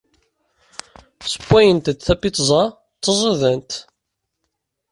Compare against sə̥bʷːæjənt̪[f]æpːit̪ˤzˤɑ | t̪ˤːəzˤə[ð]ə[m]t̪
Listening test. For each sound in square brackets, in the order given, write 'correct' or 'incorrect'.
incorrect: θ, correct, incorrect: n

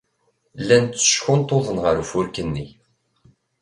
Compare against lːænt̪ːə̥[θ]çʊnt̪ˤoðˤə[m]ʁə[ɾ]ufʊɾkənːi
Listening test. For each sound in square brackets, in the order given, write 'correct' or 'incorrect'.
incorrect: ʃ, incorrect: n, correct

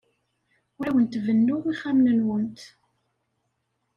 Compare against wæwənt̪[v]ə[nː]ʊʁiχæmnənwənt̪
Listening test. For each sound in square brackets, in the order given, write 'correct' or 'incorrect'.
correct, correct

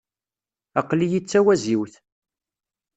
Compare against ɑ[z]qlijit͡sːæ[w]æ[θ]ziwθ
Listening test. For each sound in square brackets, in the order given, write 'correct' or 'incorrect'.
incorrect: none, correct, incorrect: none

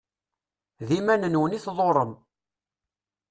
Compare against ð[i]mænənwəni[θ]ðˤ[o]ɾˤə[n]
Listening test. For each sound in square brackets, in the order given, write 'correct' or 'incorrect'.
correct, correct, correct, incorrect: m

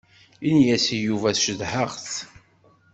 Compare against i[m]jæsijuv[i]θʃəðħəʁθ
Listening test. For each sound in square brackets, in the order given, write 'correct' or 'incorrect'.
incorrect: n, incorrect: æ

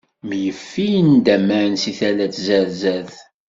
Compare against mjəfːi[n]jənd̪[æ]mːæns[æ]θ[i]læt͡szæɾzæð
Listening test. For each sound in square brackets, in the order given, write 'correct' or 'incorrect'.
incorrect: none, correct, incorrect: i, incorrect: æ

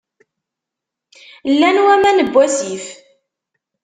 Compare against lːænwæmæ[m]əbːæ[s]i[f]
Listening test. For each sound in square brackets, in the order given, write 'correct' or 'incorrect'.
incorrect: n, correct, correct

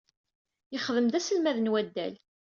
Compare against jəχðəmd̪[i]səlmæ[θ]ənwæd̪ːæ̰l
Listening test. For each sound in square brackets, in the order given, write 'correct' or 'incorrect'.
incorrect: æ, incorrect: ð

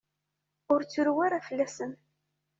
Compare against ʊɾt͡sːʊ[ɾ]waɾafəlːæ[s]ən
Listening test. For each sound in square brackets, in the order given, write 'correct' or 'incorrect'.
correct, correct

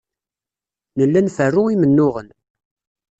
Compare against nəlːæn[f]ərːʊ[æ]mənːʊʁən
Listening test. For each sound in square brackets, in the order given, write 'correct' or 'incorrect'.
correct, incorrect: i

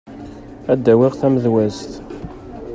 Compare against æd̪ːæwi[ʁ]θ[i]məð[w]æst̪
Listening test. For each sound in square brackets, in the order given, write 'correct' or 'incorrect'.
correct, incorrect: æ, correct

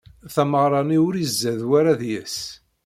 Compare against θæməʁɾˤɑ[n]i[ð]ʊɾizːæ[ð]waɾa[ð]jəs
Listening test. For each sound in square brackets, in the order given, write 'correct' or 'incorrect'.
correct, incorrect: none, correct, correct

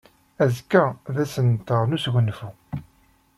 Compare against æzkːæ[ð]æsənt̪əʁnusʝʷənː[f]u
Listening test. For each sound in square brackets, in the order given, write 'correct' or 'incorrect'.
correct, correct

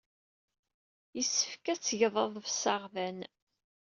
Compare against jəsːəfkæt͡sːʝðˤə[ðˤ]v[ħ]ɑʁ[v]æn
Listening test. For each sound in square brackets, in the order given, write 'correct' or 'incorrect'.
correct, incorrect: s, correct

